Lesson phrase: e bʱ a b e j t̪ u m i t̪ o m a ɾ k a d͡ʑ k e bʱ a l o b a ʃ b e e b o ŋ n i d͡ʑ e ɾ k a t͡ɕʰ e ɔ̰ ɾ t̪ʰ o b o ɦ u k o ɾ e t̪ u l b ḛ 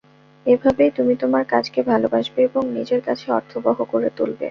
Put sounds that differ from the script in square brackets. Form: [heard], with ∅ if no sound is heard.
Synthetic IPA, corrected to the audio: e bʱ a b e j t̪ u m i t̪ o m a ɾ k a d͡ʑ k e bʱ a l o b a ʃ b e e b o ŋ n i d͡ʑ e ɾ k a t͡ɕʰ e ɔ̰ ɾ t̪ʰ o b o ɦ [o] k o ɾ e t̪ u l b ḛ